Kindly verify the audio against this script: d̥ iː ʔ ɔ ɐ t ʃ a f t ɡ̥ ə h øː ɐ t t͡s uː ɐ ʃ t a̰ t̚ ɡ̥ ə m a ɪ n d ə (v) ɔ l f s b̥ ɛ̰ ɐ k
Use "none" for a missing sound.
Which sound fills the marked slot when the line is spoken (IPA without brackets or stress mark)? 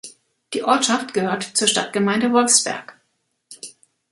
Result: v